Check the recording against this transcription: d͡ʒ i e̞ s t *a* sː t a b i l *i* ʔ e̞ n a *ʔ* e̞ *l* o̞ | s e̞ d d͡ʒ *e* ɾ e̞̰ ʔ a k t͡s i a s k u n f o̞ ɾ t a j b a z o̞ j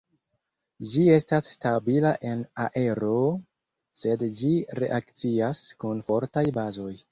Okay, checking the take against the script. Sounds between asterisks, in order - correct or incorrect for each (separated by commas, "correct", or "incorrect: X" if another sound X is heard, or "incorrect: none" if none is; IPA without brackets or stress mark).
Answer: correct, incorrect: a, correct, incorrect: ɾ, incorrect: i